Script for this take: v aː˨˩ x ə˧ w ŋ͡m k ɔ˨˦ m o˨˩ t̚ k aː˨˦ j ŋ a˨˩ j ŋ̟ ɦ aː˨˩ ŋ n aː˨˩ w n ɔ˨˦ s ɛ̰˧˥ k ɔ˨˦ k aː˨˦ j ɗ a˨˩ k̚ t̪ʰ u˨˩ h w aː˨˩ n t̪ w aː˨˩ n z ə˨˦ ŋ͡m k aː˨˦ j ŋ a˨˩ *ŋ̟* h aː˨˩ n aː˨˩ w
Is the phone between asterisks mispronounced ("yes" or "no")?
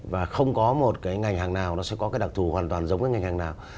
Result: no